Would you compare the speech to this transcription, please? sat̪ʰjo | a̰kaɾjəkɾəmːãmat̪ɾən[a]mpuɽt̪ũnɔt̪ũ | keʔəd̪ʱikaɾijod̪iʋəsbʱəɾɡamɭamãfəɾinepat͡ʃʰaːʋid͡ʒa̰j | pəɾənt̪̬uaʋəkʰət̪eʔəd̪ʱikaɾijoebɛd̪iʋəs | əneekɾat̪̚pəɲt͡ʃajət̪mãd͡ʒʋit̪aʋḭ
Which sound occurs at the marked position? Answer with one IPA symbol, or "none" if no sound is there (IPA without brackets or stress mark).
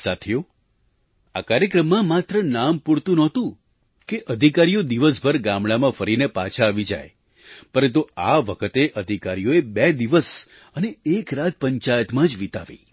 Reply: a